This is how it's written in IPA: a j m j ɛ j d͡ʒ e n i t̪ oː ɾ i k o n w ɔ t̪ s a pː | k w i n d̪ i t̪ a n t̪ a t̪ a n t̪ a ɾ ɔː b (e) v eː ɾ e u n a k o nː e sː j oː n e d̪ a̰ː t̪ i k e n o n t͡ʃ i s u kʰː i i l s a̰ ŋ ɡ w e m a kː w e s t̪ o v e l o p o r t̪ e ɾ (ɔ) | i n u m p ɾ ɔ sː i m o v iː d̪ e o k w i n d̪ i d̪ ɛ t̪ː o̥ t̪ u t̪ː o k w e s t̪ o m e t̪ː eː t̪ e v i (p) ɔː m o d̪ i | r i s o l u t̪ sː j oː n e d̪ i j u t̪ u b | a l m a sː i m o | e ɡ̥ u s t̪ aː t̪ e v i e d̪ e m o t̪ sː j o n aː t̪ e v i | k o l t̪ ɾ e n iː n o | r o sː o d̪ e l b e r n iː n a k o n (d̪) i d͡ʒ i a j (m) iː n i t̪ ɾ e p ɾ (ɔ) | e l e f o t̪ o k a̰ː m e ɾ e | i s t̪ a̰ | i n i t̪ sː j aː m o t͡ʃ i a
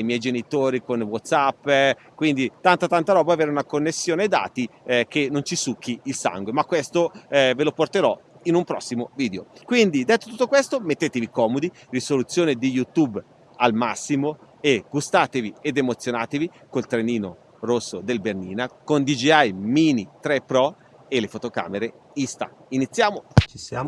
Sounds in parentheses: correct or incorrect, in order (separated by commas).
incorrect, correct, incorrect, correct, correct, correct